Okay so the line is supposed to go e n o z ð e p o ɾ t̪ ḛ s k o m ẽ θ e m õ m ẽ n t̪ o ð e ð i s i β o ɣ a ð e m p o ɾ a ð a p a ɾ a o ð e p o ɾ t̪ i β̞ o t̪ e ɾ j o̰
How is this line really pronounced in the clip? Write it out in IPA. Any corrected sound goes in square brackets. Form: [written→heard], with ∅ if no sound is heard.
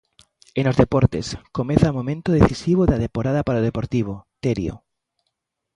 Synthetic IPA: e n o z ð e p o ɾ t̪ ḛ s k o m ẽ θ [e→a] m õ m ẽ n t̪ o ð e [ð→θ] i s i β o [ɣ→ð] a ð e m p o ɾ a ð a p a ɾ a o ð e p o ɾ t̪ i β̞ o t̪ e ɾ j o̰